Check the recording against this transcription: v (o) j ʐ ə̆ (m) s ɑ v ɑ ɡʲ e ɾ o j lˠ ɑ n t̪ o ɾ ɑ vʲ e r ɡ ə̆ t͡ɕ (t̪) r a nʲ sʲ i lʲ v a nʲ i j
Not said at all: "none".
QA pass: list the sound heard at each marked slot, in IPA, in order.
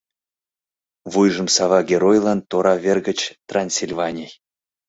u, m, t̪

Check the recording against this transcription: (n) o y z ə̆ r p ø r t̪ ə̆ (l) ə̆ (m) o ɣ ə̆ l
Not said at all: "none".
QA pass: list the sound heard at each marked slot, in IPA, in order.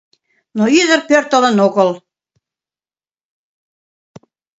n, l, n

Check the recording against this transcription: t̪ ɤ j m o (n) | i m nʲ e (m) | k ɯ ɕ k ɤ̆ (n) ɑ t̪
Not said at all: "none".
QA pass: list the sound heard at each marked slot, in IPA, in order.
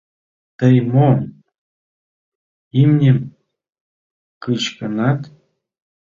n, m, n

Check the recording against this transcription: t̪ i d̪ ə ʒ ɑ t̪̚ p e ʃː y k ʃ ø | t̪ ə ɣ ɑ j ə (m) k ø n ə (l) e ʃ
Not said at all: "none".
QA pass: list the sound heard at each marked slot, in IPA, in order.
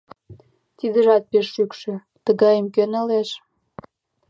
m, l

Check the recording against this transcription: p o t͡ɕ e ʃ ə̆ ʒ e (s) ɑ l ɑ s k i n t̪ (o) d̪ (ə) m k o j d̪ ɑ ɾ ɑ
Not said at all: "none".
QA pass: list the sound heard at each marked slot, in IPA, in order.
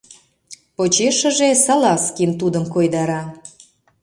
s, u, ə

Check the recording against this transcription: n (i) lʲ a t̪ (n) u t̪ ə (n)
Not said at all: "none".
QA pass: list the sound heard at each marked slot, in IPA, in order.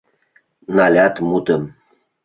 a, m, m

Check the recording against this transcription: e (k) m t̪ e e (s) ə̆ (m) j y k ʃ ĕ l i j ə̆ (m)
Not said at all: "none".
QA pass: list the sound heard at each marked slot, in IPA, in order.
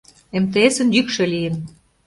none, s, n, n

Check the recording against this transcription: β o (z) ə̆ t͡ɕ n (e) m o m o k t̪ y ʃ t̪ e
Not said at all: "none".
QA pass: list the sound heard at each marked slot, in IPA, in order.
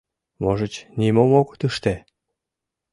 ʒ, i

